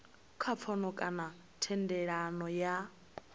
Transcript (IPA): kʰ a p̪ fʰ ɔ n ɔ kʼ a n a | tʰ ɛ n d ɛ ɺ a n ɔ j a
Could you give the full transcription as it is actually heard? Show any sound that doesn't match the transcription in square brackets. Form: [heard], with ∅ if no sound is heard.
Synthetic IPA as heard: kʰ a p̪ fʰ ɔ n ɔ kʼ a n a | tʰ ɛ n d ɛ ɺ a n ɔ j a